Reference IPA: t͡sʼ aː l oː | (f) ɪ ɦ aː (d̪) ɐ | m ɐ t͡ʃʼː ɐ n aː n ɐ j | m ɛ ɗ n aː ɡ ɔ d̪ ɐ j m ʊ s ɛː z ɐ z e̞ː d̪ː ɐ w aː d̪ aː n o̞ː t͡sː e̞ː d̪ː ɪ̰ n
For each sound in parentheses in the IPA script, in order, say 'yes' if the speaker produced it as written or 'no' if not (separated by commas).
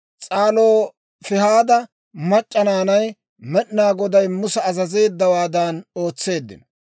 yes, yes